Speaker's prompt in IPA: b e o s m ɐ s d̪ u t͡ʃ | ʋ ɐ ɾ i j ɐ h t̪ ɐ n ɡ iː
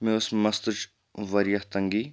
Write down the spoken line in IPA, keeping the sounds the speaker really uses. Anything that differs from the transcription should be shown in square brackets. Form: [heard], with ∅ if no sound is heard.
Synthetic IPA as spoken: [m] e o s m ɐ s [t̪] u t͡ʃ | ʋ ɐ ɾ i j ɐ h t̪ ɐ [ŋ] ɡ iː